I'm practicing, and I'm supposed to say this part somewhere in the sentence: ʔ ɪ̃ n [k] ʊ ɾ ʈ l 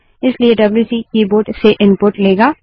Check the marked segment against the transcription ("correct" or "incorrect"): incorrect